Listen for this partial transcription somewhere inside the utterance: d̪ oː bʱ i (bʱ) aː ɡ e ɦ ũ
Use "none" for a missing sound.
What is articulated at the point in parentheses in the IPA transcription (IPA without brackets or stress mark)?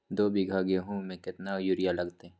ɡʱ